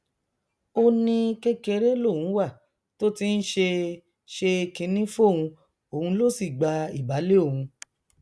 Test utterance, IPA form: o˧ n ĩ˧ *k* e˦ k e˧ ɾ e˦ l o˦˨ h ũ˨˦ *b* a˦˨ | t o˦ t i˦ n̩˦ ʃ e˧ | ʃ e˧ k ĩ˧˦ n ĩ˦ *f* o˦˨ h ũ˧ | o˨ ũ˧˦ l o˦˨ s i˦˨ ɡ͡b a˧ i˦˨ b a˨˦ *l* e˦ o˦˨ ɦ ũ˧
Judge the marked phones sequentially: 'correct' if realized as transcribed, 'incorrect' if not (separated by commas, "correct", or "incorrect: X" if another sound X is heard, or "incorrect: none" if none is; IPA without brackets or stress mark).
correct, incorrect: w, correct, correct